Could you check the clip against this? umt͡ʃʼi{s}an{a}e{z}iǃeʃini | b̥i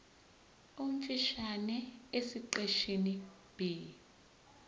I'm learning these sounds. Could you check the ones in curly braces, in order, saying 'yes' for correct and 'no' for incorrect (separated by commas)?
no, no, no